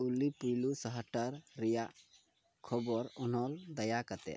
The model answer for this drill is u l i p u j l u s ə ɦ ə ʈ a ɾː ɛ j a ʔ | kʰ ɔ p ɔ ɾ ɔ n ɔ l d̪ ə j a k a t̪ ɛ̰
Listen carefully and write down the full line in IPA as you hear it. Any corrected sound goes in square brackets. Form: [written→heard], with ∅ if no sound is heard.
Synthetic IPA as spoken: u l i p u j l u s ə ɦ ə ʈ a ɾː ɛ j a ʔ | kʰ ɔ [p→b] ɔ ɾ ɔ n ɔ l d̪ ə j a k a t̪ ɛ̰